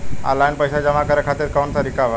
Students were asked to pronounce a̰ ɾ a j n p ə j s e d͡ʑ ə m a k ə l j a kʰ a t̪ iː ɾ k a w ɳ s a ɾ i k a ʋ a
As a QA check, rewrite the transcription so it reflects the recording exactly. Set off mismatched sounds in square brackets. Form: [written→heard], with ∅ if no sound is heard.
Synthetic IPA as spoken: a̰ [ɾ→l] a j n p ə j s [e→a] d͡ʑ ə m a k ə [l→ɾ] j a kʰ a t̪ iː ɾ k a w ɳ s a ɾ i k a ʋ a